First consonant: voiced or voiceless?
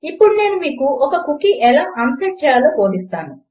voiceless